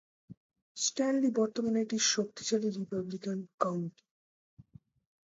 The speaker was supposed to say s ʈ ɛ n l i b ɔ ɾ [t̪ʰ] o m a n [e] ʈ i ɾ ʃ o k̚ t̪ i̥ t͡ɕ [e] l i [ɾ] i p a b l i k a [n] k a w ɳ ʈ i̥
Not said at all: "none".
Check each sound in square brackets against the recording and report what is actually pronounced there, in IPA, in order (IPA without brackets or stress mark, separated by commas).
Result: t̪, e, a, ɾ, n